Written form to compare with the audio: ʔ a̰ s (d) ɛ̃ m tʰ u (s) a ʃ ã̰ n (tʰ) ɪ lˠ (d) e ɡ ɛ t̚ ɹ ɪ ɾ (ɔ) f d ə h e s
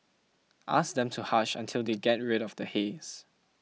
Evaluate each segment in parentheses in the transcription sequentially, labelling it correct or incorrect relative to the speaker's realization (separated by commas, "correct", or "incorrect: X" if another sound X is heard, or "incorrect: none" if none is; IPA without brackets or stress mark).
correct, incorrect: h, correct, correct, correct